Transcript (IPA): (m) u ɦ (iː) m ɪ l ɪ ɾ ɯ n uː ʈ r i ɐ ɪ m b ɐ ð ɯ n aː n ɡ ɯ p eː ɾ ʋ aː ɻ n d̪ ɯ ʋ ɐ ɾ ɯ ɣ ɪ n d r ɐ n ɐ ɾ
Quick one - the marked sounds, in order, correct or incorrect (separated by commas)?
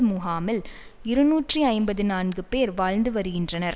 correct, incorrect